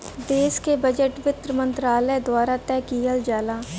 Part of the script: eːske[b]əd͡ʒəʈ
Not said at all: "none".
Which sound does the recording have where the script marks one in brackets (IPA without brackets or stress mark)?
b